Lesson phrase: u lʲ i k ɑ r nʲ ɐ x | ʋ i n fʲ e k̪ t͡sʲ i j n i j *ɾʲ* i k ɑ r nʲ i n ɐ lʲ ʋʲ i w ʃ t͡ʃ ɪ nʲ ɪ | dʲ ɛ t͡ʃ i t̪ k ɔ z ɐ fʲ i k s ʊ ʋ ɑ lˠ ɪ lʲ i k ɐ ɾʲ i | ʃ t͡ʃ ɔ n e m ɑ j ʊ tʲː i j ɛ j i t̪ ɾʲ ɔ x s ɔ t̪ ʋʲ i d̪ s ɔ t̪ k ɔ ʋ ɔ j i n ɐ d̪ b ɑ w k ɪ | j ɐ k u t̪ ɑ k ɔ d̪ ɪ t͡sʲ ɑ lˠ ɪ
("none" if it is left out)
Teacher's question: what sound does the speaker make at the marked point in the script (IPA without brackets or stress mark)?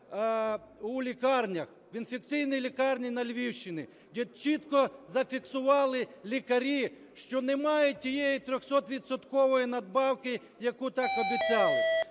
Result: lʲ